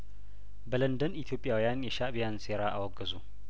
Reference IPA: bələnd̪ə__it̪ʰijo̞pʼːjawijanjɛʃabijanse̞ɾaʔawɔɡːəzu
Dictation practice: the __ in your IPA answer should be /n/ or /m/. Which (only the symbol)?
n